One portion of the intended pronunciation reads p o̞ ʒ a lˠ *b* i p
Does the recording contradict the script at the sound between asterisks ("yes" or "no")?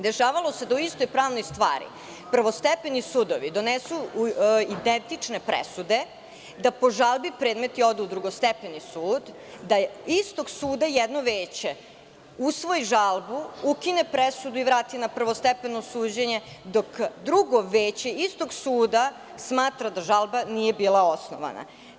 no